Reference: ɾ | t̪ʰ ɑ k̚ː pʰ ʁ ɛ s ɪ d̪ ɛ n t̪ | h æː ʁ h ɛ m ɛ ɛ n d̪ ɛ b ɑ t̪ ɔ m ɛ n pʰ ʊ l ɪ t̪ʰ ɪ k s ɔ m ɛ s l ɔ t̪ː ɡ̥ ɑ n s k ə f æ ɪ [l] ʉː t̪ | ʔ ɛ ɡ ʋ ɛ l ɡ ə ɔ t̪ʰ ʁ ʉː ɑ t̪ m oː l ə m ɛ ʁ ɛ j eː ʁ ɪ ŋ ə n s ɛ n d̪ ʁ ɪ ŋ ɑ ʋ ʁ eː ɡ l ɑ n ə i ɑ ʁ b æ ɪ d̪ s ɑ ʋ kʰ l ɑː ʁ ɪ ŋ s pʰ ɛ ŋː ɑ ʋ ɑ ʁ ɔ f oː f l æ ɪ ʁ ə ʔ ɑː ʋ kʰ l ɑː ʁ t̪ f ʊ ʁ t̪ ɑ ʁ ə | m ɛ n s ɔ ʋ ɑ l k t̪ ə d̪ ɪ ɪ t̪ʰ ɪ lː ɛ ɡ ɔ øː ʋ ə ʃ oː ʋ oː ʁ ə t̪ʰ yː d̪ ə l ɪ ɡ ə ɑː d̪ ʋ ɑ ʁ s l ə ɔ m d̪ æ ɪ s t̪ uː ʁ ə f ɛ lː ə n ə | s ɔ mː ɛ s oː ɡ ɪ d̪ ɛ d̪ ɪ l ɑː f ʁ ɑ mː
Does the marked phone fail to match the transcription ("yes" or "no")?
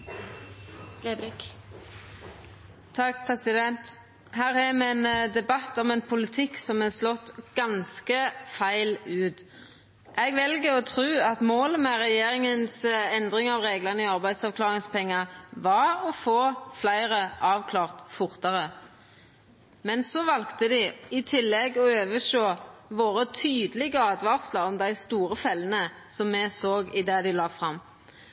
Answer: no